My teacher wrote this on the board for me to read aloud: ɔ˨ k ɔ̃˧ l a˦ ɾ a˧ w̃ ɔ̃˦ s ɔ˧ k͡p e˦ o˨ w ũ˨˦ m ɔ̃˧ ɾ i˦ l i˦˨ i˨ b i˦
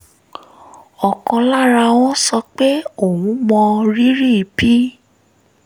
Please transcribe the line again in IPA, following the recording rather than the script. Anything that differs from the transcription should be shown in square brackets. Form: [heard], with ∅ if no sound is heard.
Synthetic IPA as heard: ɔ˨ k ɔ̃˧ l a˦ ɾ a˧ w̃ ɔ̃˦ s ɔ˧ k͡p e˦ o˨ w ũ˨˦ m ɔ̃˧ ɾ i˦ [ɾ] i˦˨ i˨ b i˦